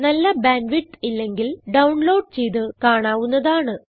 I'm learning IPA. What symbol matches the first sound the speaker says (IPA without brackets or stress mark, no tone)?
n